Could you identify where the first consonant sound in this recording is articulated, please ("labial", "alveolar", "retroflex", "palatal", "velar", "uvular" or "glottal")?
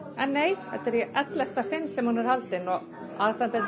alveolar